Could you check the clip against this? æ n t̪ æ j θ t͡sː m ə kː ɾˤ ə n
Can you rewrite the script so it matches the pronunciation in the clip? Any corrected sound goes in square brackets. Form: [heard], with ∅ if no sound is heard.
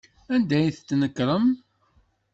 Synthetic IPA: æ n [d̪] æ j θ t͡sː [n] ə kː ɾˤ ə [m]